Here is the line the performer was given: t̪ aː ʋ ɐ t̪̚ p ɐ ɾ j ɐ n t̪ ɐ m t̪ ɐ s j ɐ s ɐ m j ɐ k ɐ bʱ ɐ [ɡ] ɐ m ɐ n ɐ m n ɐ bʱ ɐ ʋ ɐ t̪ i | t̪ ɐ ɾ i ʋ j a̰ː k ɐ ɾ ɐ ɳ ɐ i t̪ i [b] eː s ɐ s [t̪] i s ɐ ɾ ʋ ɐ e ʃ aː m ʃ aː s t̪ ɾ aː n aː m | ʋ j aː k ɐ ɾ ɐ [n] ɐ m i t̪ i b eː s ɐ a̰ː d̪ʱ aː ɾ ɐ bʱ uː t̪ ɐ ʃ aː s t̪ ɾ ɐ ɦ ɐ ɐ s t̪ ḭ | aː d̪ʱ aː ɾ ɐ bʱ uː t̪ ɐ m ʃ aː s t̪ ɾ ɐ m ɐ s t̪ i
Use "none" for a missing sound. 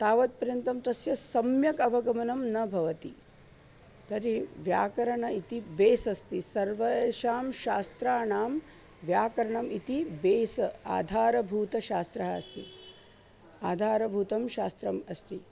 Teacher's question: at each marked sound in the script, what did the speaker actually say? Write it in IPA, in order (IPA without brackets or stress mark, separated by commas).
ɡ, b, t̪, ɳ